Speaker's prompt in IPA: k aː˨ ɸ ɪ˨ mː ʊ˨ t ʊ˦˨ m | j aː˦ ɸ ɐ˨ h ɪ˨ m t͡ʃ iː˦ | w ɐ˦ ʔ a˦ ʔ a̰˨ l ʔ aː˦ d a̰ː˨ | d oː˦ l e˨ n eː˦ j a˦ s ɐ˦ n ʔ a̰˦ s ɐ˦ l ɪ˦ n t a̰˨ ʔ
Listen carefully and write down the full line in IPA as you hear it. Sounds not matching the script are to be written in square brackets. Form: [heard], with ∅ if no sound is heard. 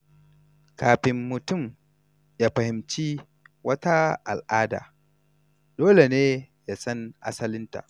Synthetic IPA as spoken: k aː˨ ɸ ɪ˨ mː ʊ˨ t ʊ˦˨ m | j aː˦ ɸ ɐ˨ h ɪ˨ m t͡ʃ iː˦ | w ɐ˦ [t] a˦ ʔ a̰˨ l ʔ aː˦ d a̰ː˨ | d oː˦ l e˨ n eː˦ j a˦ s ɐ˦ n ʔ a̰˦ s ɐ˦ l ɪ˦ n t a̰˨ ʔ

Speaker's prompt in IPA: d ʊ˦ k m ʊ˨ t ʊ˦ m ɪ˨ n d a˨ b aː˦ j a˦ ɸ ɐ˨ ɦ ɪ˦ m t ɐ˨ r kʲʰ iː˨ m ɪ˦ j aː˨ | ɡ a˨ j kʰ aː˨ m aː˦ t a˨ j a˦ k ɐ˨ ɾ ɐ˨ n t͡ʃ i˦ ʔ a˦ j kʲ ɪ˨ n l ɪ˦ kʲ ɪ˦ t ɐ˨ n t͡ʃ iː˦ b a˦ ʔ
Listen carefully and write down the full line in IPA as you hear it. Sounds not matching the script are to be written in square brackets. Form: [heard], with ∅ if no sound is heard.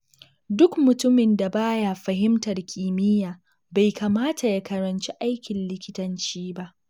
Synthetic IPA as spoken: d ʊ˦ k m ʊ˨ t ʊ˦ m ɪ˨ n d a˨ b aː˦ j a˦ ɸ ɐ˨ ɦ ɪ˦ m t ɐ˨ r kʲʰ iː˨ m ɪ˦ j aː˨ | [b] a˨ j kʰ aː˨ m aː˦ t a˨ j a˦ k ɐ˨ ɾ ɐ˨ n t͡ʃ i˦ ʔ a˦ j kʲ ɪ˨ n l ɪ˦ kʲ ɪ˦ t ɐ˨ n t͡ʃ iː˦ b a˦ ʔ

